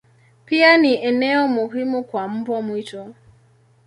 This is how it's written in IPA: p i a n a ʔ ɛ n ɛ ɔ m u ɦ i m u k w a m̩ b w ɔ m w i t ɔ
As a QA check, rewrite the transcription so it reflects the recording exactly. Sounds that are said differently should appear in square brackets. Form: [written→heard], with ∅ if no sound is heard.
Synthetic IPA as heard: p i a n [a→i] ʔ ɛ n ɛ ɔ m u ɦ i m u k w a m̩ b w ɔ m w i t ɔ